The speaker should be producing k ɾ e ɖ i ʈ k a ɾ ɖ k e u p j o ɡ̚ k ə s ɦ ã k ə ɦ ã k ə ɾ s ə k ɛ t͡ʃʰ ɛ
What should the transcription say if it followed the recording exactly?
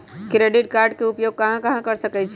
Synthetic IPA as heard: k ɾ e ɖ i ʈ k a ɾ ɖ k e u p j o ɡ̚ k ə ɦ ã k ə ɦ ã k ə ɾ s ə k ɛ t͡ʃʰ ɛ